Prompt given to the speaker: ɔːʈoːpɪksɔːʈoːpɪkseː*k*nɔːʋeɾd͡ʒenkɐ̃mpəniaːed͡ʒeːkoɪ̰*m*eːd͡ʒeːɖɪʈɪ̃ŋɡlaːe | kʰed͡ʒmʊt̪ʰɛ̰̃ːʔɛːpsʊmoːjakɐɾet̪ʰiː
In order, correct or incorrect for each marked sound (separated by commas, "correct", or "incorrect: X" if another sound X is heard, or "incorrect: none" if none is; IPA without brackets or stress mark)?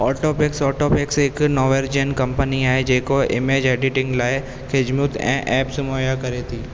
correct, correct